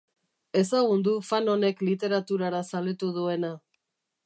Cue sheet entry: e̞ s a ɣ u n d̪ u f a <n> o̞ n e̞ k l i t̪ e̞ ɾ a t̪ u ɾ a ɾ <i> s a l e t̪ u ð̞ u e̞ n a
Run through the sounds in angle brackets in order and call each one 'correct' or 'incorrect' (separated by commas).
correct, incorrect